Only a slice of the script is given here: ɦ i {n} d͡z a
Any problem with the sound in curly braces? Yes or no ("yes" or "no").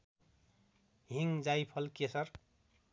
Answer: yes